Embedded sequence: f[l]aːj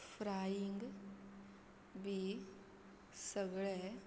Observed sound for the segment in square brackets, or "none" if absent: ɾ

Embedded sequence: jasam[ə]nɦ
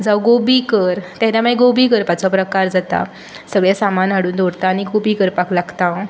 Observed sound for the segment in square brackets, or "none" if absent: a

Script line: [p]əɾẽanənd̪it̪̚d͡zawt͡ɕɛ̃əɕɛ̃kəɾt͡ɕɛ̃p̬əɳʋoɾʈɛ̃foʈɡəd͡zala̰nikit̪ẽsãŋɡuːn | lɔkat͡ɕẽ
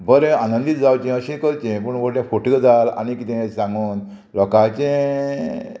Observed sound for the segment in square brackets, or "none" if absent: b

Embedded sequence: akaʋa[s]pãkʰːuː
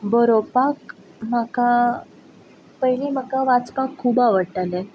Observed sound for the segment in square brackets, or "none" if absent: t͡s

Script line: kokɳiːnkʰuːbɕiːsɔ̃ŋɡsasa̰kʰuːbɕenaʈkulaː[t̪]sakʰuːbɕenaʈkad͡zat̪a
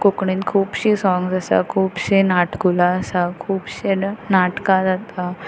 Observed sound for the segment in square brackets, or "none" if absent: none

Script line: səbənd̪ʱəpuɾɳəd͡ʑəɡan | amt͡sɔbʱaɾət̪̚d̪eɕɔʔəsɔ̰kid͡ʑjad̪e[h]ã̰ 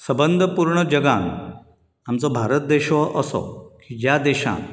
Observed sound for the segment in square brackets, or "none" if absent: ɕ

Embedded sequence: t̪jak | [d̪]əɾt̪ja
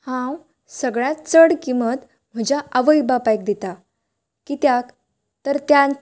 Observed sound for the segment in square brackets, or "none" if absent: t̪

